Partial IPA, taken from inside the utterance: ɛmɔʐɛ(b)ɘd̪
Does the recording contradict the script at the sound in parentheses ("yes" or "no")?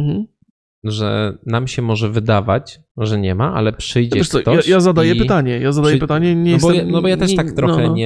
yes